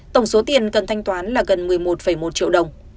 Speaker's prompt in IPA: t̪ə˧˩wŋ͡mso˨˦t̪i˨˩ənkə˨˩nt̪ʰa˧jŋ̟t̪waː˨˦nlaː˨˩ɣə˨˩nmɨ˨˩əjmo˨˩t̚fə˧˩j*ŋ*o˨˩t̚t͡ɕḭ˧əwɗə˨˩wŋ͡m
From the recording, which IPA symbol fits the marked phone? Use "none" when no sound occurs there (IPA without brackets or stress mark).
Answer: m